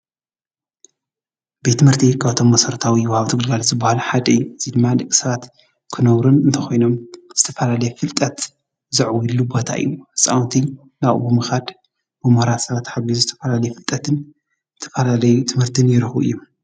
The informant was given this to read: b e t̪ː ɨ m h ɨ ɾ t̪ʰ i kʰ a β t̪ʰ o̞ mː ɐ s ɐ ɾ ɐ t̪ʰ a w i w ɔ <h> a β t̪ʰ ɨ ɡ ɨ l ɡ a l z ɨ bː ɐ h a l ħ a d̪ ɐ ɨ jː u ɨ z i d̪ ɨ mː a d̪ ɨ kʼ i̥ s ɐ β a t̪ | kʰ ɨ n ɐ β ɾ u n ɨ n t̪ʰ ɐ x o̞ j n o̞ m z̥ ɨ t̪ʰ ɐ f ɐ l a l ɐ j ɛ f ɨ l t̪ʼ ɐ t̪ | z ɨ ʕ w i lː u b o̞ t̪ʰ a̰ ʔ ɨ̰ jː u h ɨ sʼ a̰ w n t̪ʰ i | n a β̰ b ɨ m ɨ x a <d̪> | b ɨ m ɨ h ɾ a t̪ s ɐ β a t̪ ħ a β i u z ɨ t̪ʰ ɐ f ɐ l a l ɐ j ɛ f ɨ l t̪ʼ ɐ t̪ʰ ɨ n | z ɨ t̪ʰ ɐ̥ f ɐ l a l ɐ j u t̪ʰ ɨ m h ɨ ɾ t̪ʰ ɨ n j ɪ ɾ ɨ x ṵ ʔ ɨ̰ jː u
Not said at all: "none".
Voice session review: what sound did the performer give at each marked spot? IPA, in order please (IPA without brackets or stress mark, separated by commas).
h, d̪